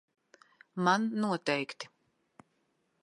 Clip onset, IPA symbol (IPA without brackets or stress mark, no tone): m